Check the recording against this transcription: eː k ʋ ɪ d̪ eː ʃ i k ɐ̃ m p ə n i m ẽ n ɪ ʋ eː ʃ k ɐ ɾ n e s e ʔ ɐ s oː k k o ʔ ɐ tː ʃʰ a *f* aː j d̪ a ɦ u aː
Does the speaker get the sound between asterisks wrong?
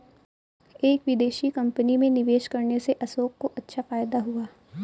no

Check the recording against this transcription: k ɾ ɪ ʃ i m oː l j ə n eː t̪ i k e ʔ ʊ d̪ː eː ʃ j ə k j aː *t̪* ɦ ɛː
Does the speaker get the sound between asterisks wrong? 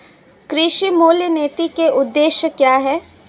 yes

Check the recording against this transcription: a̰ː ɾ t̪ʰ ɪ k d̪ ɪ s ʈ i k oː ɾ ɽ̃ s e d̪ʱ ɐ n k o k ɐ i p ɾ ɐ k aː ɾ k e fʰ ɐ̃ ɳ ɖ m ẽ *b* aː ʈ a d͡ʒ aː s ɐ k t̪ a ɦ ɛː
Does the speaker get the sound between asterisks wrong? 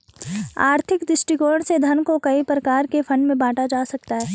no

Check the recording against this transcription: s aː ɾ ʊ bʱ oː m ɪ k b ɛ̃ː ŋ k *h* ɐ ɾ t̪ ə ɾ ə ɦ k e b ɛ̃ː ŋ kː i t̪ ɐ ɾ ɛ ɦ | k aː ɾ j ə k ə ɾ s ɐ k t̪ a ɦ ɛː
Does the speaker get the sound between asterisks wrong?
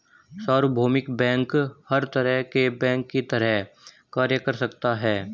no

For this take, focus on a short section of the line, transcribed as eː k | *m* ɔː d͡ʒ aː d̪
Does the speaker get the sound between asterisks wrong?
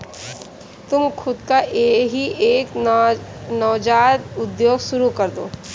yes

